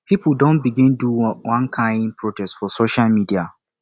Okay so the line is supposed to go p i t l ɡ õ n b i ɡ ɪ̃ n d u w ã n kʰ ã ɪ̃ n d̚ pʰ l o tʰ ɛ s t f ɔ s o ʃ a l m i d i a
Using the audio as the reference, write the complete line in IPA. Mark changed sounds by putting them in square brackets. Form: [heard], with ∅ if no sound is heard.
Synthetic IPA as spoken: p i [p] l [d] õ n b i ɡ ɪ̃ n d u w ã n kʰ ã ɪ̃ n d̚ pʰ [ɹ] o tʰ ɛ s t f ɔ s o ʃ a l m i d i a